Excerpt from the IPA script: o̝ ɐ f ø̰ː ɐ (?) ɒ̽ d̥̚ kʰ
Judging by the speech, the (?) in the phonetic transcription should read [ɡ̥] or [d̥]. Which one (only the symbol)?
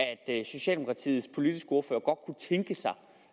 ɡ̥